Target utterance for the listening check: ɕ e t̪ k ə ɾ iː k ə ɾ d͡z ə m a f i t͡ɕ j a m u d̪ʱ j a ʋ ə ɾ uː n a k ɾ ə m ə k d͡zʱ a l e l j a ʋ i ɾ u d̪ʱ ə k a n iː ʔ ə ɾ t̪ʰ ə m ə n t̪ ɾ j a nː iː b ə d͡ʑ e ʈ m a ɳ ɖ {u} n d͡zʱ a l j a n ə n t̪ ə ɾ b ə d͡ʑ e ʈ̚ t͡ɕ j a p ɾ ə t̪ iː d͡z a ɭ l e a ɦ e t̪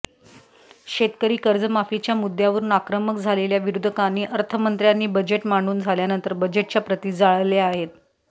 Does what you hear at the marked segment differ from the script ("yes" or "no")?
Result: yes